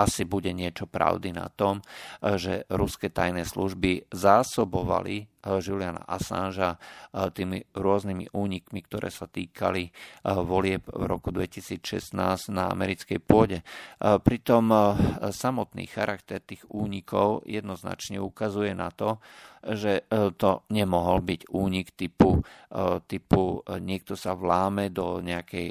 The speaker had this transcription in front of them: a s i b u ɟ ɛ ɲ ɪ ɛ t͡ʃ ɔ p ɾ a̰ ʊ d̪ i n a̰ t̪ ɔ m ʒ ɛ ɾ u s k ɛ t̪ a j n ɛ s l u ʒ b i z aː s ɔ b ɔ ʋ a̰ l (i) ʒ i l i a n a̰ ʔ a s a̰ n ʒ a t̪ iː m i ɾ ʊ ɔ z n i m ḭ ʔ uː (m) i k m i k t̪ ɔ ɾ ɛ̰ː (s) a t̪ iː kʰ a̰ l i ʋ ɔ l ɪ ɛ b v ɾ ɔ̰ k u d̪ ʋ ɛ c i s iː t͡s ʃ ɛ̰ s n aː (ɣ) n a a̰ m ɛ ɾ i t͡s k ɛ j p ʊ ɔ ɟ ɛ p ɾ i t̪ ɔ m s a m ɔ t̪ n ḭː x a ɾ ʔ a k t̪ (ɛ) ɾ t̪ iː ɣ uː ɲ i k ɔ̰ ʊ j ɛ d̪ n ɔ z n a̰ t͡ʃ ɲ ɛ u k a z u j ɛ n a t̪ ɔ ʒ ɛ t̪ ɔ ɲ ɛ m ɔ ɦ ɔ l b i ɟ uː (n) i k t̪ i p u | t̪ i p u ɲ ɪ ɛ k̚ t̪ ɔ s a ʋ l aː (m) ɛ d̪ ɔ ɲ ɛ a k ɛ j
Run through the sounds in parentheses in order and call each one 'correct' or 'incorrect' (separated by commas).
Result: correct, incorrect, correct, incorrect, correct, incorrect, correct